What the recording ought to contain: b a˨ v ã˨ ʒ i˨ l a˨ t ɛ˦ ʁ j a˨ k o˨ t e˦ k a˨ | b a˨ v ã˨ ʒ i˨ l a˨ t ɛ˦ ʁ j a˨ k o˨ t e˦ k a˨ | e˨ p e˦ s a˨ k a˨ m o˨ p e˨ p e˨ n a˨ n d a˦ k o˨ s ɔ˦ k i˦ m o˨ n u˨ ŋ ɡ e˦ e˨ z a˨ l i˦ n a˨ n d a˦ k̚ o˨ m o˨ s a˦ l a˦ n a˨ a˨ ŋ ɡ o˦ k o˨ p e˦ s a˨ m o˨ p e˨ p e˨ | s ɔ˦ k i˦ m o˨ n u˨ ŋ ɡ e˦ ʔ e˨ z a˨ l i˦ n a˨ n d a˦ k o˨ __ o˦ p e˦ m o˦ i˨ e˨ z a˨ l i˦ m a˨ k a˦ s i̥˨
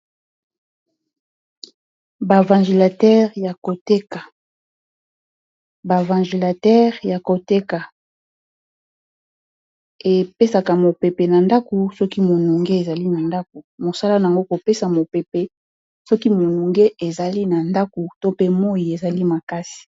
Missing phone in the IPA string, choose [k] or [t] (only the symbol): t